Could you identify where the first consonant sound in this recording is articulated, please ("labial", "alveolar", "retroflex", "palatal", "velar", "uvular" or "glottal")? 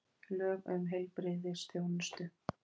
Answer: alveolar